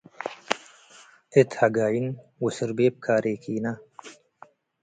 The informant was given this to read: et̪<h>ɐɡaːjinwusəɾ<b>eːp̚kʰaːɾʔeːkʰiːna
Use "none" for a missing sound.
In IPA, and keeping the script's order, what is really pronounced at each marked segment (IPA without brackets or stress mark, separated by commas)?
h, b